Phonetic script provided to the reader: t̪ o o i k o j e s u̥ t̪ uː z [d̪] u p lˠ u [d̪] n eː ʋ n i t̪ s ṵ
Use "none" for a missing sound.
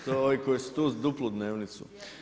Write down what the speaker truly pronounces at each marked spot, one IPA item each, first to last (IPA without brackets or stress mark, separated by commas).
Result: d̪, d̪